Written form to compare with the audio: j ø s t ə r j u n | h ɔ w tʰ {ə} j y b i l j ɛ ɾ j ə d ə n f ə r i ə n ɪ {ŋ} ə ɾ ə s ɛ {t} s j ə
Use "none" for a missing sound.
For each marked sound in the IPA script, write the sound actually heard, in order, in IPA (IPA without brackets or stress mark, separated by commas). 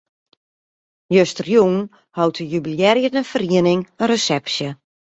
ə, ŋ, p